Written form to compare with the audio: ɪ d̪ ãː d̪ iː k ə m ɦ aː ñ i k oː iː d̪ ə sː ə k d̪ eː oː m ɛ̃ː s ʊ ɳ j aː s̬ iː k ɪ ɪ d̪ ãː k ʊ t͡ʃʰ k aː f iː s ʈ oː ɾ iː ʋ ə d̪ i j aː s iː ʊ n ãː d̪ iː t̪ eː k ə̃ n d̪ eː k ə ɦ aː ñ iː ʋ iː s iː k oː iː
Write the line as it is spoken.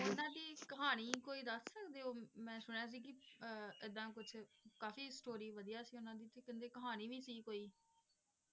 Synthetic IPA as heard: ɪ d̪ ãː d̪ iː k ə ɦ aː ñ iː k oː iː d̪ ə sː ə k d̪ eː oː m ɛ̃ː s ʊ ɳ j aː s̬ iː k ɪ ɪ d̪ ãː k ʊ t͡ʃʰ k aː f iː s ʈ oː ɾ iː ʋ ə d̪ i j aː s iː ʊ n ãː d̪ iː t̪ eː k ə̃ n d̪ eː k ə ɦ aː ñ iː ʋ iː s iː k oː iː

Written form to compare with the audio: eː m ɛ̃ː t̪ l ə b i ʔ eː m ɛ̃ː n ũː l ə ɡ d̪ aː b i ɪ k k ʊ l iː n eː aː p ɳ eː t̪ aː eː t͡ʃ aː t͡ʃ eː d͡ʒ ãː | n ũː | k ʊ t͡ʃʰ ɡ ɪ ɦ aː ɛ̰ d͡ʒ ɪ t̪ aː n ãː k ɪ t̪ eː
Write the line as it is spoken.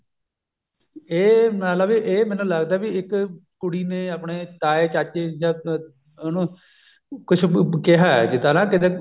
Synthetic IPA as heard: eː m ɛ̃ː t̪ l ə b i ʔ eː m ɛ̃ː n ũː l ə ɡ d̪ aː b i ɪ k k ʊ ɽ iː n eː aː p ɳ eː t̪ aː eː t͡ʃ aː t͡ʃ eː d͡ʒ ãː | n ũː | k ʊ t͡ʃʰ k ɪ ɦ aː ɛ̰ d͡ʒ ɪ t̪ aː n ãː k ɪ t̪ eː

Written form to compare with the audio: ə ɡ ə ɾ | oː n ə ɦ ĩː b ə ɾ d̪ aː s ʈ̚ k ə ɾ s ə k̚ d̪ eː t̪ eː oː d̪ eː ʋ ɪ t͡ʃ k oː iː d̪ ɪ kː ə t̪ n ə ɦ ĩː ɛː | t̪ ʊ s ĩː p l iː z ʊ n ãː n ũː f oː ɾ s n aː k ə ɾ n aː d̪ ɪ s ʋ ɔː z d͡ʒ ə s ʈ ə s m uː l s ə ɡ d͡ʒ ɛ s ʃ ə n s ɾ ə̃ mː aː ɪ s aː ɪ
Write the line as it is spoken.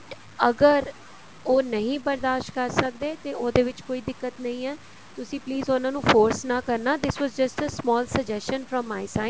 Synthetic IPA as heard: ə ɡ ə ɾ | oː n ə ɦ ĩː b ə ɾ d̪ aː ʃ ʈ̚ k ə ɾ s ə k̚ d̪ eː t̪ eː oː d̪ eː ʋ ɪ t͡ʃ k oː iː d̪ ɪ kː ə t̪ n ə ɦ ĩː ɛː | t̪ ʊ s ĩː p l iː z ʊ n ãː n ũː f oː ɾ s n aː k ə ɾ n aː d̪ ɪ s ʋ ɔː z d͡ʒ ə s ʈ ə s m ɔː l s ə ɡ d͡ʒ ɛ s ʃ ə n f ɾ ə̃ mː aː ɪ s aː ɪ

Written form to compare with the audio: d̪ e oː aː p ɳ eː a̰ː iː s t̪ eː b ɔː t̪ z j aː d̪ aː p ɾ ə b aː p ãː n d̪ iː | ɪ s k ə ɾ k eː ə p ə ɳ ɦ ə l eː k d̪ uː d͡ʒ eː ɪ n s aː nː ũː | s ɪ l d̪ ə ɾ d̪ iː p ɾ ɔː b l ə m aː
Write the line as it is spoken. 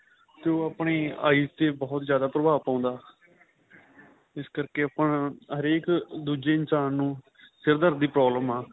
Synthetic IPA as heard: t̪ e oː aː p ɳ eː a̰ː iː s t̪ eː b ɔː t̪ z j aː d̪ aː p ɾ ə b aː p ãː n d̪ aː | ɪ s k ə ɾ k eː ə p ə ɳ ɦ ə ɾ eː k d̪ uː d͡ʒ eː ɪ n s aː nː ũː | s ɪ ɾ d̪ ə ɾ d̪ iː p ɾ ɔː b l ə m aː

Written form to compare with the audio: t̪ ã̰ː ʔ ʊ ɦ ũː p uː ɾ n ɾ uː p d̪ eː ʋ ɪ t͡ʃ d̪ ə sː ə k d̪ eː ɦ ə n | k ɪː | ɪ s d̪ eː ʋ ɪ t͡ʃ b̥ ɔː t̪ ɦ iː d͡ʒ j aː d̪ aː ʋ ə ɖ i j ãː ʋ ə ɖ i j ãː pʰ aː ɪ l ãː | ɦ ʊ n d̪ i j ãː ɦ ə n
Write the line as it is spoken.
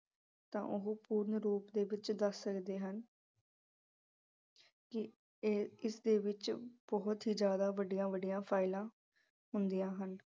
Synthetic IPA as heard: t̪ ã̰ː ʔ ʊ ɦ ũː p uː ɾ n ɾ uː p d̪ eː ʋ ɪ t͡ʃ d̪ ə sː ə k d̪ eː ɦ ə n | k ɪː | ɪ s d̪ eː ʋ ɪ t͡ʃ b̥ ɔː t̪ ɦ iː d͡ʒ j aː d̪ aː ʋ ə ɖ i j ãː ʋ ə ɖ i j ãː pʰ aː ɪ l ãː | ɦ ʊ n d̪ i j ãː ɦ ə n

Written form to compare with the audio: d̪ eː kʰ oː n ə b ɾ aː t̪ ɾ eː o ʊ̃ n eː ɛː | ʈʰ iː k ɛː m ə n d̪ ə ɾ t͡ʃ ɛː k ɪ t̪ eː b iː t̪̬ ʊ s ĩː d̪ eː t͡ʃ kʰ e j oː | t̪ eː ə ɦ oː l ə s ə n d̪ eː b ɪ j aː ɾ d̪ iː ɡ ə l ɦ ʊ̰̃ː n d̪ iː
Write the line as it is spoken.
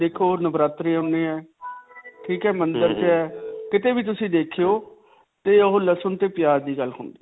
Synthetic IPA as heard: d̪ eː kʰ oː n ə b ɾ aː t̪ ɾ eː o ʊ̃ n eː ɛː | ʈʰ iː k ɛː m ə n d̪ ə ɾ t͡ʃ ɛː k ɪ t̪ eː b iː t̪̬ ʊ s ĩː d̪ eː kʰ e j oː | t̪ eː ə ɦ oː l ə s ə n t̪ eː p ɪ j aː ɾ d̪ iː ɡ ə l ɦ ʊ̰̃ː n d̪ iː

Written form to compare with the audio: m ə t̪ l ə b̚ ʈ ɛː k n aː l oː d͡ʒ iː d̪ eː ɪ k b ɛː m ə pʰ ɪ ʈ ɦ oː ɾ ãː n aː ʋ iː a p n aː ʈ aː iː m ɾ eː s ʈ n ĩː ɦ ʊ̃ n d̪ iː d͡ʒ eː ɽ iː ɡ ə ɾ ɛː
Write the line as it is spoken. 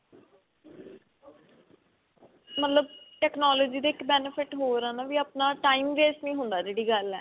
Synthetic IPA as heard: m ə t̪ l ə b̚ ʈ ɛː k n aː l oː d͡ʒ iː d̪ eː ɪ k b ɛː n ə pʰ ɪ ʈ ɦ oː ɾ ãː n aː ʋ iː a p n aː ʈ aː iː m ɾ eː s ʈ n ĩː ɦ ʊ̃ n d̪ aː d͡ʒ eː ɽ iː ɡ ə l ɛː

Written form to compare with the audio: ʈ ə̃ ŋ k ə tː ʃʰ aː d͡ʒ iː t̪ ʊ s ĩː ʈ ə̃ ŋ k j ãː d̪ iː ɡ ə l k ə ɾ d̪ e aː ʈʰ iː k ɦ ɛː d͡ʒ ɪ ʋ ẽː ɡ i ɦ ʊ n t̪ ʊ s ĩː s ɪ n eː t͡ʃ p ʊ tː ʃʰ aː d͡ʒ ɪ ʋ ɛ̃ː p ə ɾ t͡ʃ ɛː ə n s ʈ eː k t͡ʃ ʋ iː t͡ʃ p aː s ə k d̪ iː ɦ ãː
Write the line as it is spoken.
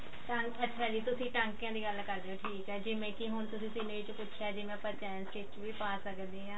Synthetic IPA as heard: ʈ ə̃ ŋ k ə tː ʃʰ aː d͡ʒ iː t̪ ʊ s ĩː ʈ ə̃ ŋ k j ãː d̪ iː ɡ ə l k ə ɾ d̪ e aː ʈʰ iː k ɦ ɛː d͡ʒ ɪ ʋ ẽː k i ɦ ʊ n t̪ ʊ s ĩː s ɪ n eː t͡ʃ p ʊ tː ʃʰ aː d͡ʒ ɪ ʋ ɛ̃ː p ə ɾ t͡ʃ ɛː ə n s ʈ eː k t͡ʃ ʋ iː p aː s ə k d̪ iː ɦ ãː

